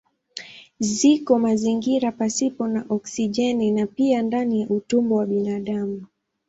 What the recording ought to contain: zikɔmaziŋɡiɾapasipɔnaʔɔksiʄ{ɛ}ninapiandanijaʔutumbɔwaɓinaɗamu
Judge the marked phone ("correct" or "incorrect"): correct